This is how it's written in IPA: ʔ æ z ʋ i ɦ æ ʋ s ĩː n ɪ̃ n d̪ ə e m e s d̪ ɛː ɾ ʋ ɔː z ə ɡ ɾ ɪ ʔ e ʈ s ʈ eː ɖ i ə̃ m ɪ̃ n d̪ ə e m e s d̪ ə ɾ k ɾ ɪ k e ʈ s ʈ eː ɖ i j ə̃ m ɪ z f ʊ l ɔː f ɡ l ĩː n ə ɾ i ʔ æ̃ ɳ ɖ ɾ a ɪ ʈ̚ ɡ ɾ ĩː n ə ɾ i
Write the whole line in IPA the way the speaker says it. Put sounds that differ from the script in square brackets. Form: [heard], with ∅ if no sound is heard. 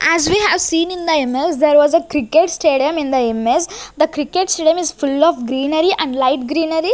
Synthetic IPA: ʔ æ z ʋ i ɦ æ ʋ s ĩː n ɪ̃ n d̪ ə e m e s d̪ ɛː ɾ ʋ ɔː z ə [k] ɾ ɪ [k] e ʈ s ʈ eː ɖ i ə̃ m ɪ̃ n d̪ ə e m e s d̪ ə [∅] k ɾ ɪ k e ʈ s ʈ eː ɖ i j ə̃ m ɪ z f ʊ l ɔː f ɡ [ɾ] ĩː n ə ɾ i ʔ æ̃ ɳ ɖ [l] a ɪ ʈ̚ ɡ ɾ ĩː n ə ɾ i